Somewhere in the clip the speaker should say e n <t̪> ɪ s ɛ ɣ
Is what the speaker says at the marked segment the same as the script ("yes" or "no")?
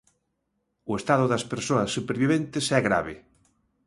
yes